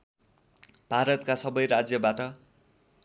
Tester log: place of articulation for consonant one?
labial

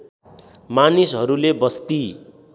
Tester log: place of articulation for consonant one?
labial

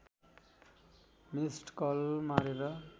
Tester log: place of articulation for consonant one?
labial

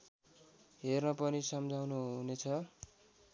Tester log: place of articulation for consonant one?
glottal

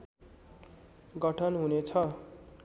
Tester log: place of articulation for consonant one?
velar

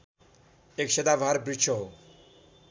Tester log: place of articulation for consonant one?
velar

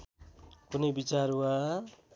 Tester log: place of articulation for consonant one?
velar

